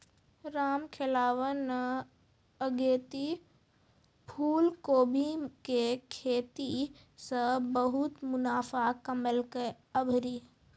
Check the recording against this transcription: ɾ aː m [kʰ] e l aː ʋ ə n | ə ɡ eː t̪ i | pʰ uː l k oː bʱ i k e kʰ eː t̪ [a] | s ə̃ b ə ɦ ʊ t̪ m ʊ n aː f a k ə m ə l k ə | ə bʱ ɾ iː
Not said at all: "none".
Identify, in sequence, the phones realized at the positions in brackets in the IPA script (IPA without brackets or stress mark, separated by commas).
kʰ, i